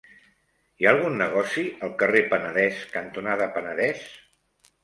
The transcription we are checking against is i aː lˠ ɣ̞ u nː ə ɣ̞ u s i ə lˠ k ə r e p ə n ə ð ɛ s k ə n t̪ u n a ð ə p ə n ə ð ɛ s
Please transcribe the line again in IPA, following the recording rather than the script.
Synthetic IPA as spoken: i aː lˠ ɣ̞ u nː ə ɣ̞ ɔ s i ə lˠ k ə r e p ə n ə ð ɛ s k ə n t̪ u n a ð ə p ə n ə ð ɛ s